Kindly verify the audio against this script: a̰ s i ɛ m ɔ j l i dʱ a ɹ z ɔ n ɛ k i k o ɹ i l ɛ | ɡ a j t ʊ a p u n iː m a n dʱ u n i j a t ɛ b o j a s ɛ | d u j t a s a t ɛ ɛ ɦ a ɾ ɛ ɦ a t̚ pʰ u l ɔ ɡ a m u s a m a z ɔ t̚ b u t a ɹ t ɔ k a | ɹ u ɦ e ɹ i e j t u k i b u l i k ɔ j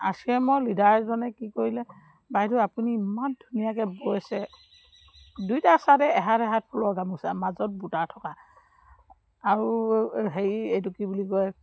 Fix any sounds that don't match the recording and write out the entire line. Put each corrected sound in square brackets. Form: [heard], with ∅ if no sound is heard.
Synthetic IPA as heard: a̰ s i ɛ m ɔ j l i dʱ a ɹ z ɔ n ɛ k i k o ɹ i l ɛ | [b] a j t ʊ a p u n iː m a n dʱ u n i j a [k] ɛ b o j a s ɛ | d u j t a s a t ɛ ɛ ɦ a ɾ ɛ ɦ a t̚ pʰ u l ɔ ɡ a m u s a m a z ɔ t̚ b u t a ɹ [tʰ] ɔ k a | ɹ u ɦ e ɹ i e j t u k i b u l i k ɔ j